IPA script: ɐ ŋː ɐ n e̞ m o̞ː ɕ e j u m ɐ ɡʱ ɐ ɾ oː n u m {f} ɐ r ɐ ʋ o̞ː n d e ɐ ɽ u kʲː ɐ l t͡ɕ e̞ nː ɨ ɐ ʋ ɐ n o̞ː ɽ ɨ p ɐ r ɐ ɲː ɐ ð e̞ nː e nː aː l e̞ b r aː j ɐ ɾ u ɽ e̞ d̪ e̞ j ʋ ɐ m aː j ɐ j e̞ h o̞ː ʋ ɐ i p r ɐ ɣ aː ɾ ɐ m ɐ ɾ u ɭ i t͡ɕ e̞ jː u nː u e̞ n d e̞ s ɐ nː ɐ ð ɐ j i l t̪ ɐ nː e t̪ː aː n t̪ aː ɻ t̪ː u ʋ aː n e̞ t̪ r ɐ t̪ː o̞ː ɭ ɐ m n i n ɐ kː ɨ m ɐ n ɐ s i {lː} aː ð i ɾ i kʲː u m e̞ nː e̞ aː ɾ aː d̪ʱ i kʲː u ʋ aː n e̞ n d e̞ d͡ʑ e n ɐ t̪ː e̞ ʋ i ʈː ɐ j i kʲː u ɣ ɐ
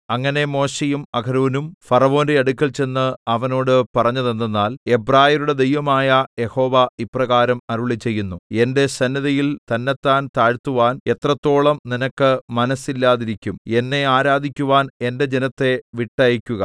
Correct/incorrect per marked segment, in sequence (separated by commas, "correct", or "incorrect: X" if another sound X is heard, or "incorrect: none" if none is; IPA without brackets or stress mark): correct, correct